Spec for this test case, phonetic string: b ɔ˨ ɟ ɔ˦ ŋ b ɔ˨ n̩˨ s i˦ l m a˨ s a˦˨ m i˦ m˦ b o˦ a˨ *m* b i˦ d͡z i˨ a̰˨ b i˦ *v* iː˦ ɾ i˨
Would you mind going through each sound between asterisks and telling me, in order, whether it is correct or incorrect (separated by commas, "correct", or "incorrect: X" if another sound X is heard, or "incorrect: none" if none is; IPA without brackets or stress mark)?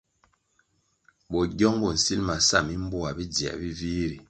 incorrect: none, correct